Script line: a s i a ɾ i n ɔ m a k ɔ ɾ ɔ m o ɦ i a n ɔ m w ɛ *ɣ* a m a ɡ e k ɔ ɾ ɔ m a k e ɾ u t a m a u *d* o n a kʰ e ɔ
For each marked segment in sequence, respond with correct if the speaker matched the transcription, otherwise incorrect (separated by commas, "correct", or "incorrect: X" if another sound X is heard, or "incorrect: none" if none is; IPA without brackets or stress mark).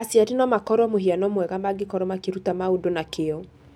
correct, correct